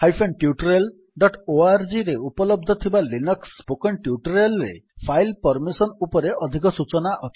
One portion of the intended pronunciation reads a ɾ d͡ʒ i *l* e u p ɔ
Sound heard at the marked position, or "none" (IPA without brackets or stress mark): ɾ